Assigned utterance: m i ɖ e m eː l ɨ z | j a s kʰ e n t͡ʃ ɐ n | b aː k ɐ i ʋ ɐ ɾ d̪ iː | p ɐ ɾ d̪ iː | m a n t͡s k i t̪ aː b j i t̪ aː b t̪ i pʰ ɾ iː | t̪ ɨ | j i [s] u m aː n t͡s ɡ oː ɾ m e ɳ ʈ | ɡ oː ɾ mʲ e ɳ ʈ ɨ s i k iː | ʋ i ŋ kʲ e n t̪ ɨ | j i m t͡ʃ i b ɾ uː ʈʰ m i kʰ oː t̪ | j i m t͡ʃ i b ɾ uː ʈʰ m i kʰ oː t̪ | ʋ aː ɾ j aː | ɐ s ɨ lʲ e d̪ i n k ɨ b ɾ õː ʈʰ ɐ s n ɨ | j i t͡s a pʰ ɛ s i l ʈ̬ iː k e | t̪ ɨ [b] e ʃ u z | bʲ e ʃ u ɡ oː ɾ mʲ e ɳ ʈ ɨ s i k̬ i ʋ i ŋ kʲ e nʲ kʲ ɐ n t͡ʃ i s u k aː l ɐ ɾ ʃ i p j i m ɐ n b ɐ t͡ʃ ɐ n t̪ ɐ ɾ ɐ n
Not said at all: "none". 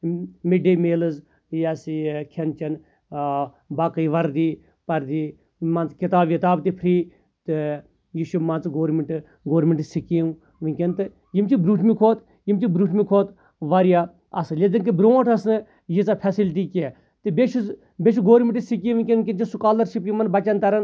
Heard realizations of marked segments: ʃ, b

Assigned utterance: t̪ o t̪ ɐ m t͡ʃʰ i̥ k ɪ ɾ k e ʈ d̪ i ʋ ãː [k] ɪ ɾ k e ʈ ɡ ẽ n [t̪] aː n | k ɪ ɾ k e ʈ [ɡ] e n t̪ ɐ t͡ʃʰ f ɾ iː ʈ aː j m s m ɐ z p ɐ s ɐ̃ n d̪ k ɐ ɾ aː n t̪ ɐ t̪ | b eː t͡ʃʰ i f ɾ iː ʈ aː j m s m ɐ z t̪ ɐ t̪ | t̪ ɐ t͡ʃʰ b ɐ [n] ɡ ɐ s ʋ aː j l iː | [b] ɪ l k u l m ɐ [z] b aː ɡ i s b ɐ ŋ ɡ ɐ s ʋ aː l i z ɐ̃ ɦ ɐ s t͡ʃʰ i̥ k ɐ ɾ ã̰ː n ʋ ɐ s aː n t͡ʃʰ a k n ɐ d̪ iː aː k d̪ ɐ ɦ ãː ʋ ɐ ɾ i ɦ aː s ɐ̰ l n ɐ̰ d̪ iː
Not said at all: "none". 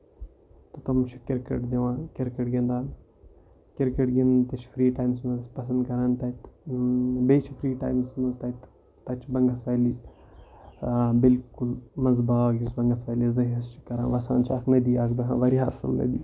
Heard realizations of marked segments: k, d̪, ɡ, ŋ, b, z

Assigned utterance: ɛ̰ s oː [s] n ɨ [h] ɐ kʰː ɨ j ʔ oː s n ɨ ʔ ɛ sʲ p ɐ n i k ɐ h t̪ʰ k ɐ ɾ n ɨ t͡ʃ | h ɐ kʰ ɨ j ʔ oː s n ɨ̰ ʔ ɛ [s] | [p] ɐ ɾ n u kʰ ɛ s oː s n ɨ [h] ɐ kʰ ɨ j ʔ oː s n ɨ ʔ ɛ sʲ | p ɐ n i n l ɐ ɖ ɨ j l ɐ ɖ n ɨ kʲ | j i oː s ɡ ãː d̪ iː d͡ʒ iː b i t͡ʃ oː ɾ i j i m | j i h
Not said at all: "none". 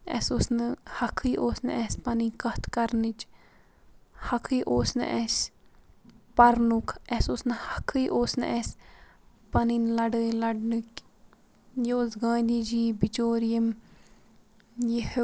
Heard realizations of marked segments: s, h, s, p, h

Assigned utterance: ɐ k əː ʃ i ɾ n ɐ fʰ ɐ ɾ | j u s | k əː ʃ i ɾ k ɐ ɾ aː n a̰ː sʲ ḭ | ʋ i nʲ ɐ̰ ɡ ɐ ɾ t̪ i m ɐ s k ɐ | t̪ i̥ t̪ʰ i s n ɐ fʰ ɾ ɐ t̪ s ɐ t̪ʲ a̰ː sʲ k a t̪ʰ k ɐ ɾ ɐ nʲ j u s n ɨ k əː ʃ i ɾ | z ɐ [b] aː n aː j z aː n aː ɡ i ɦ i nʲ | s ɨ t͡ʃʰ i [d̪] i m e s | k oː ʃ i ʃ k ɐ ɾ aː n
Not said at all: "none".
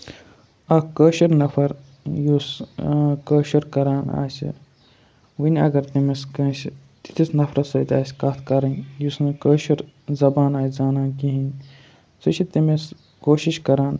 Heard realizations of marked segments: b, t̪

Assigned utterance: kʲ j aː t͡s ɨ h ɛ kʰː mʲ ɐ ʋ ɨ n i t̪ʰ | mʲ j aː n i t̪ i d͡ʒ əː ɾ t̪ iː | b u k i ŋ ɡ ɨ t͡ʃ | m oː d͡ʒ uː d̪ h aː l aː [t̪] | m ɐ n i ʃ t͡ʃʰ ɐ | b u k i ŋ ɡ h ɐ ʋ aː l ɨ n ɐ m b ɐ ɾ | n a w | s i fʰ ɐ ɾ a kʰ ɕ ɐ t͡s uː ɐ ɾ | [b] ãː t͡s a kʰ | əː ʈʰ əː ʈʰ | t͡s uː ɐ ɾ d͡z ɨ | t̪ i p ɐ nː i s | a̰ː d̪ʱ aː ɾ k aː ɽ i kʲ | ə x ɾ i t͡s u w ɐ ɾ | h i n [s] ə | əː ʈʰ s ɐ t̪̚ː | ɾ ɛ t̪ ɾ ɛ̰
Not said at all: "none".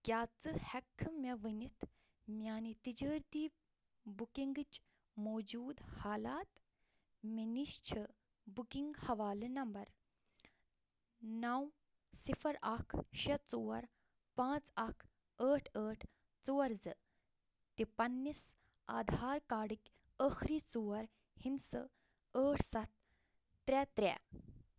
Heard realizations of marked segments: t̪, p, s

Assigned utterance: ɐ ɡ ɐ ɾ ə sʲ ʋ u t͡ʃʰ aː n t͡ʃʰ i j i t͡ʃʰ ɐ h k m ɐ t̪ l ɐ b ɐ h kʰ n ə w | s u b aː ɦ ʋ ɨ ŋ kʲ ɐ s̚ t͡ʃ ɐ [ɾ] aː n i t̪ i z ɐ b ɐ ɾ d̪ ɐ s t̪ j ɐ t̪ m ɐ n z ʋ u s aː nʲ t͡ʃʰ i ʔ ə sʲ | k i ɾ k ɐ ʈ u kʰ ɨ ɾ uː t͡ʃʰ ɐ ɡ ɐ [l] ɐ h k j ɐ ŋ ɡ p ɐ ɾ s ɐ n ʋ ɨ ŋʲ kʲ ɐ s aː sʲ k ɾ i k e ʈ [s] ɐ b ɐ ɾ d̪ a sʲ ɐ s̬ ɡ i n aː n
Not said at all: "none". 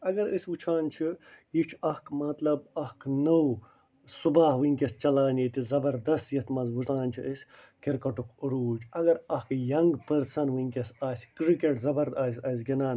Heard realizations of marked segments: l, ɾ, z

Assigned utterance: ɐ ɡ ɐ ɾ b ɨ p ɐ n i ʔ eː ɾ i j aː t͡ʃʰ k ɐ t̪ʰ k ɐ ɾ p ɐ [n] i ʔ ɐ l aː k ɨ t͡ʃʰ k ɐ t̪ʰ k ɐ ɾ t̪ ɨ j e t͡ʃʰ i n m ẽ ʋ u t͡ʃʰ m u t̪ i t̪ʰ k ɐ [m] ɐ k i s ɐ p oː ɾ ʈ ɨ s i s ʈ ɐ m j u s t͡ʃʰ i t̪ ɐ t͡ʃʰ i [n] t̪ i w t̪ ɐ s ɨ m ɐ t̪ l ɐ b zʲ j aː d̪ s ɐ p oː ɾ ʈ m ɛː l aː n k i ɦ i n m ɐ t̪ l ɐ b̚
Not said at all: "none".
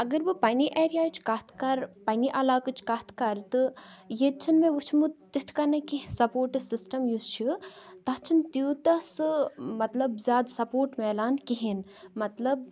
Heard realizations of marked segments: n, n, n

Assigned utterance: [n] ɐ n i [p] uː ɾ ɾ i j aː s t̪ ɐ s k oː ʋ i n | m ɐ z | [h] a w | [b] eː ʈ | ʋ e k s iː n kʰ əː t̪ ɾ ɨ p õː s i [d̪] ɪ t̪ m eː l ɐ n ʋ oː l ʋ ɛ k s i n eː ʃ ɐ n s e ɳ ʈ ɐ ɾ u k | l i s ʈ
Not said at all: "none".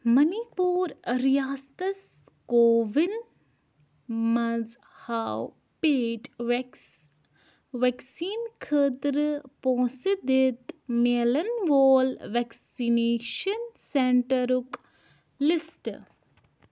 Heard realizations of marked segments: m, p, h, p, d̪

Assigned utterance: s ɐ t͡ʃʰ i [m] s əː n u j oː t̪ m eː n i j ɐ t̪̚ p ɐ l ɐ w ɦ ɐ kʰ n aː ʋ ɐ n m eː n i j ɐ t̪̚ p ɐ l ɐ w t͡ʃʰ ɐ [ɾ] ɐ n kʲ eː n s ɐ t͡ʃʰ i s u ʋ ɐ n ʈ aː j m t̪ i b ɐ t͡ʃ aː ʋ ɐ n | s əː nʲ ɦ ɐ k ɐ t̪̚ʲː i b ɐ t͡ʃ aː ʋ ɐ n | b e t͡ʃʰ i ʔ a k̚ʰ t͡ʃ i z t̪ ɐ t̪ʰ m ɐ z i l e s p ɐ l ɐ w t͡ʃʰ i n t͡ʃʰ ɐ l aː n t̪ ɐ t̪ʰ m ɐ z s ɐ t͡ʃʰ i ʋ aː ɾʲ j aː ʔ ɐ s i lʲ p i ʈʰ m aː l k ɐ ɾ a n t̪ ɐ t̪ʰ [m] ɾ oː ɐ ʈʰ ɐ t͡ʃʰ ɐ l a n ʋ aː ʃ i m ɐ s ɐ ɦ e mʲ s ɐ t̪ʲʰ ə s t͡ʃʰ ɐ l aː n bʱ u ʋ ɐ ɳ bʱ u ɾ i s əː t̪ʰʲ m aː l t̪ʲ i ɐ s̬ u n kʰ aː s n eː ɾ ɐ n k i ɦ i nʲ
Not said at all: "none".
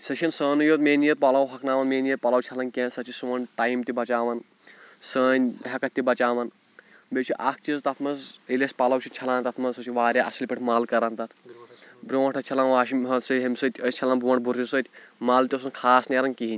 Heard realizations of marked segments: n, l, b

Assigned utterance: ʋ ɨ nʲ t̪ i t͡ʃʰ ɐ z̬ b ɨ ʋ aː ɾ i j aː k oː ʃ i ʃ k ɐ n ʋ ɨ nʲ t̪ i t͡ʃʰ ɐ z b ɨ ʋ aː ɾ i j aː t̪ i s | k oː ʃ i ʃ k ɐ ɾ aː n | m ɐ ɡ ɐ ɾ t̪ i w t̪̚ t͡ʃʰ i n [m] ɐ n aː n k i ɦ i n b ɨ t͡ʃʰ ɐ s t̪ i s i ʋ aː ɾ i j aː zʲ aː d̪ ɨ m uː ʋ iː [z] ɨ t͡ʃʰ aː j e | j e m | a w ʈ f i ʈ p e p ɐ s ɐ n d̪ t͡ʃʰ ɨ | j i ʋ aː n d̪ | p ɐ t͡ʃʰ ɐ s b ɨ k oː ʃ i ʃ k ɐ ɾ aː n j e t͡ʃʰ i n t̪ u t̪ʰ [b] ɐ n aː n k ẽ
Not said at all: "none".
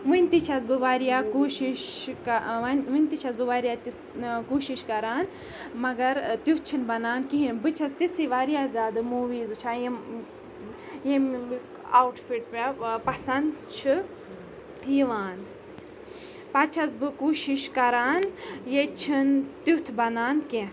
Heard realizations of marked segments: b, z, b

